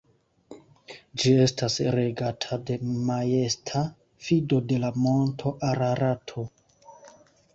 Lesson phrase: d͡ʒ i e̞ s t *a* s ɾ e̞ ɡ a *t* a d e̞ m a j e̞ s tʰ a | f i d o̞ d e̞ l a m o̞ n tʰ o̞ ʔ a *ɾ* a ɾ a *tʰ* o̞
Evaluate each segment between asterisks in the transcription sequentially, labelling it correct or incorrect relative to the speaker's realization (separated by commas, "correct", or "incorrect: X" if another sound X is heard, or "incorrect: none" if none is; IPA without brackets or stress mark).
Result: correct, incorrect: tʰ, correct, correct